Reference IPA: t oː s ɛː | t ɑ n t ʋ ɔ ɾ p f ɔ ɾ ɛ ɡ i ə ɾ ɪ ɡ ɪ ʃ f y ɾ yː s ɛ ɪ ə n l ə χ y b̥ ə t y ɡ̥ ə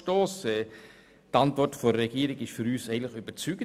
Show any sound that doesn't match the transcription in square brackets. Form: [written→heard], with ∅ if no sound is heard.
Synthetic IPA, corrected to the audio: t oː s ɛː | t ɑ n t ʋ ɔ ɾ [p→t] f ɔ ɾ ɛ ɡ i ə ɾ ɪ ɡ ɪ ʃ f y ɾ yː s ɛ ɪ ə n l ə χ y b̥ ə [t→t͡s] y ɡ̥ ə